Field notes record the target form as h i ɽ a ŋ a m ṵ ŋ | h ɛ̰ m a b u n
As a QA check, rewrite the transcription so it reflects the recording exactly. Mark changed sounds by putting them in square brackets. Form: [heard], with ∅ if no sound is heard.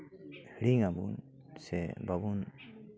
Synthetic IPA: h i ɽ [i] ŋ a [b] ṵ [n] | [s] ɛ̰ [b] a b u n

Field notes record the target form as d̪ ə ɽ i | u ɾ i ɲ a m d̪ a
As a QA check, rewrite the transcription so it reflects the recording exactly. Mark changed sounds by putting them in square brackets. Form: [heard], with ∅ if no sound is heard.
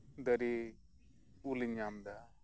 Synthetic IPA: d̪ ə [ɾ] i | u [l] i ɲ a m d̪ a

